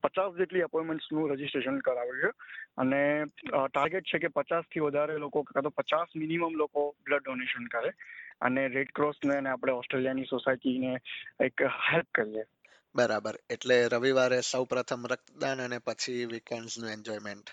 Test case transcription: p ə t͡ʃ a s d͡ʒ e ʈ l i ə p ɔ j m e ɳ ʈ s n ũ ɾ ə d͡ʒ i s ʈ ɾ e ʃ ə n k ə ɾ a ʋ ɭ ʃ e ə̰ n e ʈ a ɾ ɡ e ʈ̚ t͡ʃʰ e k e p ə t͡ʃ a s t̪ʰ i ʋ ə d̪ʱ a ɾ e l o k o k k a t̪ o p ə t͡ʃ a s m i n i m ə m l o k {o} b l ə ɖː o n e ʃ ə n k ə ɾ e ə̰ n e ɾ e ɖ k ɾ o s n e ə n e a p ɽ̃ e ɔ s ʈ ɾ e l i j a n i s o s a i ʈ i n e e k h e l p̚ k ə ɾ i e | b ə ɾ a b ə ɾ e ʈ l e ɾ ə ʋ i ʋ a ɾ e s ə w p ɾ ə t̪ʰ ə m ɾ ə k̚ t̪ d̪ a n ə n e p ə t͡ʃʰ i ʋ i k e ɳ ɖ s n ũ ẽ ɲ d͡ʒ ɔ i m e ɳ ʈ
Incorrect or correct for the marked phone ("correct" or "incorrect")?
correct